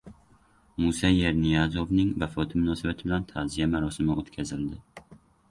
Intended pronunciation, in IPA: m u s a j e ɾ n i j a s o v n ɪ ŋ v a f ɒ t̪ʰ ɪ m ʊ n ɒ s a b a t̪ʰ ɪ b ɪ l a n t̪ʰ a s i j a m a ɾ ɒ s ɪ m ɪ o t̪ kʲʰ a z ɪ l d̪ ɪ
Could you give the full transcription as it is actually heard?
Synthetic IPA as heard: m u s a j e ɾ n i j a z o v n ɪ ŋ v a f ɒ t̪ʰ ɪ m ʊ n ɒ s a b a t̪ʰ ɪ b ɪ l a n t̪ʰ a z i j a m a ɾ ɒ s ɪ m ɪ o t̪ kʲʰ a z ɪ l d̪ ɪ